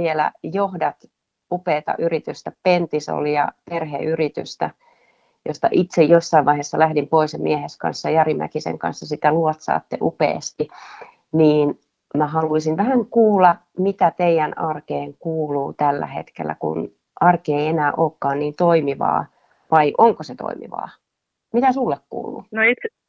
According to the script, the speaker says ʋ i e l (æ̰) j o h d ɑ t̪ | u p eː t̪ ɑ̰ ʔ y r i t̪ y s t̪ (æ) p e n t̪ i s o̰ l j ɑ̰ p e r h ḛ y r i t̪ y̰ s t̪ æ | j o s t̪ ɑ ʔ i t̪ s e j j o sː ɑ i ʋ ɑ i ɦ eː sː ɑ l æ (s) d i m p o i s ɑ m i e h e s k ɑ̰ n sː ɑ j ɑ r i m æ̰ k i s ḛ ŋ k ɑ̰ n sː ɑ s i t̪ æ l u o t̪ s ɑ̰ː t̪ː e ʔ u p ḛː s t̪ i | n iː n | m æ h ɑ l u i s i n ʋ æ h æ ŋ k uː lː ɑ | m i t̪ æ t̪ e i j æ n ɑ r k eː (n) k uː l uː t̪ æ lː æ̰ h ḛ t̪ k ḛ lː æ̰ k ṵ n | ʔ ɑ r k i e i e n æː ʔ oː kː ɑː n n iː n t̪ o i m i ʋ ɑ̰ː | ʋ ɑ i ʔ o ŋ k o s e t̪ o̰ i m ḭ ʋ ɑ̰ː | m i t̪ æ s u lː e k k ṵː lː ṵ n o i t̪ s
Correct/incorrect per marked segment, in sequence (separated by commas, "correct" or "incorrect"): correct, correct, incorrect, incorrect